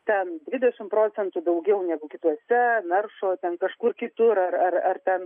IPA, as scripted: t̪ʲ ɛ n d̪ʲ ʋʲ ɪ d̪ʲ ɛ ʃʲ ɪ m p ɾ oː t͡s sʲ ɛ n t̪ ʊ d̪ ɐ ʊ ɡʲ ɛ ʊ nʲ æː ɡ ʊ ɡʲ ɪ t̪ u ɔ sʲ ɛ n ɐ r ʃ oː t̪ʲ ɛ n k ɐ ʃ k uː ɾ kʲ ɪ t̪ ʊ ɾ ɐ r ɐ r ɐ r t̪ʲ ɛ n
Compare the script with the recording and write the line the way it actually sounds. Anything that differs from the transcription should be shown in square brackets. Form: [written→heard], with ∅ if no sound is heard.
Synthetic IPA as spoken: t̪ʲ ɛ n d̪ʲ ʋʲ ɪ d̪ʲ ɛ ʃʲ ɪ m p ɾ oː t͡s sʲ ɛ n t̪ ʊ d̪ ɐ ʊ ɡʲ ɛ ʊ nʲ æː ɡ ʊ [ɡʲ→kʲ] ɪ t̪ u ɔ sʲ ɛ n ɐ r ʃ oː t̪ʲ ɛ n k ɐ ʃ k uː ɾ kʲ ɪ t̪ ʊ ɾ ɐ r ɐ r ɐ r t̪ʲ ɛ n